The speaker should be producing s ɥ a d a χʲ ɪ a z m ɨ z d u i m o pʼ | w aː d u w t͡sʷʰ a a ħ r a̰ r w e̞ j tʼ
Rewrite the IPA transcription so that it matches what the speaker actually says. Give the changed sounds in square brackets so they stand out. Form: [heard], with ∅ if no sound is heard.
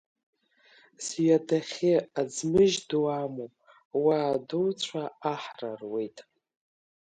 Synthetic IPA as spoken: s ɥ a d a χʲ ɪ a [d͡z] m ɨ [ʒ] d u [a] m o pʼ | w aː d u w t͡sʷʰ a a ħ r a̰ r w e̞ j tʼ